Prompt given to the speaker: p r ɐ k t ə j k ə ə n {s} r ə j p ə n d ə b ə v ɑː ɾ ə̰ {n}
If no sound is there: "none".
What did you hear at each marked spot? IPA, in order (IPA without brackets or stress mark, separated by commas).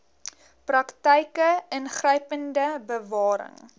χ, ŋ